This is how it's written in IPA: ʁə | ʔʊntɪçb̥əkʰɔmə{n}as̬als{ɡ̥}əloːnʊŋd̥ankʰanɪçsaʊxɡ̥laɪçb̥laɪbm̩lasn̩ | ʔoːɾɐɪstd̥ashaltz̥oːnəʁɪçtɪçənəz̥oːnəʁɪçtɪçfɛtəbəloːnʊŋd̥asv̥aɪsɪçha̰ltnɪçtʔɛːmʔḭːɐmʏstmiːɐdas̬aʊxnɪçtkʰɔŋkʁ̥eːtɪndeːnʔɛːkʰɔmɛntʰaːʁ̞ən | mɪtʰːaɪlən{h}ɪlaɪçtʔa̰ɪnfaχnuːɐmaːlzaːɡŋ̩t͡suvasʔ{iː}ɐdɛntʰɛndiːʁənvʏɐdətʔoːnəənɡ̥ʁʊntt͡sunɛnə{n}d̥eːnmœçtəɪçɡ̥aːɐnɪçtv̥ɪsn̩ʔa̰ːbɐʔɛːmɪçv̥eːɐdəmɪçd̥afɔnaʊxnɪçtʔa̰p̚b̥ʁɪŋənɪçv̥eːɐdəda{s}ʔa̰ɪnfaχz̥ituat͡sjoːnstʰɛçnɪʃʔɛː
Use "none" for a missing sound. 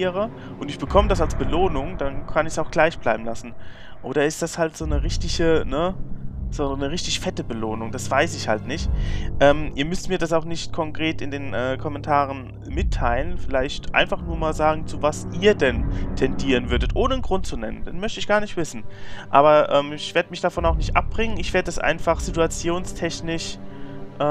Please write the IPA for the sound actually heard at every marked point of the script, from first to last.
d, b̥, f, iː, n, s

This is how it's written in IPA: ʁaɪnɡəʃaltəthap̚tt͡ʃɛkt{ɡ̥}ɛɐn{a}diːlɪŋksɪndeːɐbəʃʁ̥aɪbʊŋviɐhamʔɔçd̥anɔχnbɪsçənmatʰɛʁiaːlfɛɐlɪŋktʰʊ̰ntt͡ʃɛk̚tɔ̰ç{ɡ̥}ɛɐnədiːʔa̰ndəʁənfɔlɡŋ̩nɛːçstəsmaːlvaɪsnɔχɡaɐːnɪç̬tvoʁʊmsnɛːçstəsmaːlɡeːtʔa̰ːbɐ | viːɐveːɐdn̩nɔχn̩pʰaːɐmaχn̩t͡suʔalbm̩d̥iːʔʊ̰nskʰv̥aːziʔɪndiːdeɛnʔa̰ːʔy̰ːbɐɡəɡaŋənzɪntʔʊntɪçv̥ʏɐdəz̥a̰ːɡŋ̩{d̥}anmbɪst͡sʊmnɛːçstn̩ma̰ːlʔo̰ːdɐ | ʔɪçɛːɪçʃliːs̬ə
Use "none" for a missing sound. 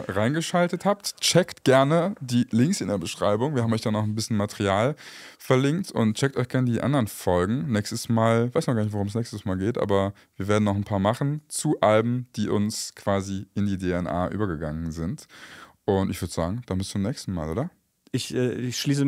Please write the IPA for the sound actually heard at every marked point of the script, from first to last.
ɡ̥, ə, ɡ̥, d̥

